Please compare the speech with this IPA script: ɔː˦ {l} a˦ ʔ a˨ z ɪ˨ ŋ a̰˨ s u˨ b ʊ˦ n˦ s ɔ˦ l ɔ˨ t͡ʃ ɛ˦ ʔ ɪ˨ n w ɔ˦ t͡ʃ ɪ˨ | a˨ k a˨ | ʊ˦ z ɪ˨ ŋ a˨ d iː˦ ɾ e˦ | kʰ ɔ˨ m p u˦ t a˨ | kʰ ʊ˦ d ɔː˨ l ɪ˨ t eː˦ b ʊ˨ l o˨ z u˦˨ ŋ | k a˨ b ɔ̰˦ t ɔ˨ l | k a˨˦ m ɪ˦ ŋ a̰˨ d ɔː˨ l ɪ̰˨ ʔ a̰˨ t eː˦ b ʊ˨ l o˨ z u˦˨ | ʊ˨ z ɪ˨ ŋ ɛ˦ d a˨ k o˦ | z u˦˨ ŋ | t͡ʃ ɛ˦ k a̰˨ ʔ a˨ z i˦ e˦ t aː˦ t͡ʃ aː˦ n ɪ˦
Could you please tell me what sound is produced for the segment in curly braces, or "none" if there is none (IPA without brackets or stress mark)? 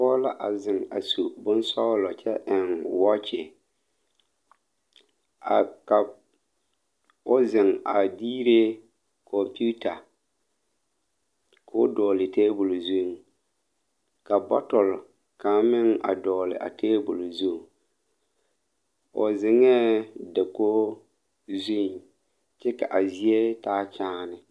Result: l